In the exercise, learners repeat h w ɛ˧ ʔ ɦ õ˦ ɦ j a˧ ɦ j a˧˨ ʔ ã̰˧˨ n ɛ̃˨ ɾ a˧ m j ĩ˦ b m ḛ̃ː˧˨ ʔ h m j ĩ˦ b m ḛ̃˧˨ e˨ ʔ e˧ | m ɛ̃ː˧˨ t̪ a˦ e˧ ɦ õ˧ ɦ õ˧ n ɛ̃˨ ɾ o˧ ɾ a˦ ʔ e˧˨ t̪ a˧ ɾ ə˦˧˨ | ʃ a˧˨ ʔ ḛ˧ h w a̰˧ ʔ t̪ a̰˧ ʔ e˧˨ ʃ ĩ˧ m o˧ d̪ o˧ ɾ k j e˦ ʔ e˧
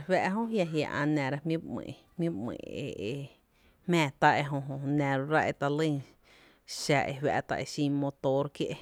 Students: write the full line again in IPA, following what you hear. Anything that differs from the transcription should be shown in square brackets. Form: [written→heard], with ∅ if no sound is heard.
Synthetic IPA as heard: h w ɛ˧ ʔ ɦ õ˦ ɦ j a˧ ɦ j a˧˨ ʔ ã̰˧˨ n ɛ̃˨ ɾ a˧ m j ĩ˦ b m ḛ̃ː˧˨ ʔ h m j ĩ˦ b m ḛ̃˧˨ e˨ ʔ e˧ | m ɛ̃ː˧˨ t̪ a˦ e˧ ɦ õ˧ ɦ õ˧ n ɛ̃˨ ɾ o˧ ɾ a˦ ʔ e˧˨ t̪ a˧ [ɾ→l] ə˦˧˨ | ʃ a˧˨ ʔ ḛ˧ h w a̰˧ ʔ t̪ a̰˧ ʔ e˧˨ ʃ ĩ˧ m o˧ [d̪→t̪] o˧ ɾ k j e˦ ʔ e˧

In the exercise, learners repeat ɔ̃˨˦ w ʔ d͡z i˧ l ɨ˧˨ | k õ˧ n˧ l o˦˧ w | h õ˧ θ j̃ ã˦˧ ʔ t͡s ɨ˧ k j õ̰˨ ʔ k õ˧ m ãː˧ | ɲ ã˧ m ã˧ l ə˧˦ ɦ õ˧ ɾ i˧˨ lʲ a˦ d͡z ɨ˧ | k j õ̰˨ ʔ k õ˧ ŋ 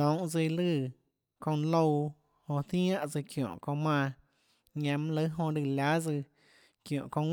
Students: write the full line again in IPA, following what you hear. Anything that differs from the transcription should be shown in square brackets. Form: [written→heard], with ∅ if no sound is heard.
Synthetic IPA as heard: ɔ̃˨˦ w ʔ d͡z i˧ l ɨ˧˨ | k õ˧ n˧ l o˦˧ w | h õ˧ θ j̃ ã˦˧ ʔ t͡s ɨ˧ k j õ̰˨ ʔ k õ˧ m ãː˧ | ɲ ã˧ m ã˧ l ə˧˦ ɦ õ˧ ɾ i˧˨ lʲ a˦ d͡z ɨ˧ | k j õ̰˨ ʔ k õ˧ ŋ

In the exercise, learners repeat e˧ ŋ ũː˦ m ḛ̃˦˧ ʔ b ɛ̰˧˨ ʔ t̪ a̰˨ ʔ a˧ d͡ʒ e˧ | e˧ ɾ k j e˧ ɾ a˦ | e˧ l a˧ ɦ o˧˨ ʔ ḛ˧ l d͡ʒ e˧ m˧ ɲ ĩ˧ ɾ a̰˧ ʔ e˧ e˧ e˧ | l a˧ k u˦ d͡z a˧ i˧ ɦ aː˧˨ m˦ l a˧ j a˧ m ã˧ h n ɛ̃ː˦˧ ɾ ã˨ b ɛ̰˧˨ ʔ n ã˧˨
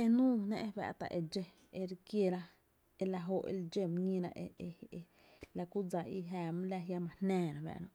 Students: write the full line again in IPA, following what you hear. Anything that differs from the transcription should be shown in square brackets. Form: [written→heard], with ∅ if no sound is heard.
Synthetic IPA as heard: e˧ [ŋ→n] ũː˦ [m→n] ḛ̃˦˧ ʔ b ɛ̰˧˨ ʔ t̪ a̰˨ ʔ [a˧→e˧] d͡ʒ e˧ | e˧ ɾ k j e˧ ɾ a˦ | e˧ l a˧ ɦ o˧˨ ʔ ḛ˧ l d͡ʒ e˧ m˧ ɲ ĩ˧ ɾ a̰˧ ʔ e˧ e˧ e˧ | l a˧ k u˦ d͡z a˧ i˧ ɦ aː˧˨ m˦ l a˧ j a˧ m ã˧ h n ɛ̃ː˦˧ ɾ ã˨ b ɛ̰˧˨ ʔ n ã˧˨

